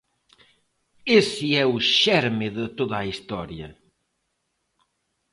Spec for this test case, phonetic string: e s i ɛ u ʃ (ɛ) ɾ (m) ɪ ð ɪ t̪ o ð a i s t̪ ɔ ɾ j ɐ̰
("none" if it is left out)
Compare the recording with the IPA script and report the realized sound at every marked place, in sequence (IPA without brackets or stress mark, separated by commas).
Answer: ɛ, m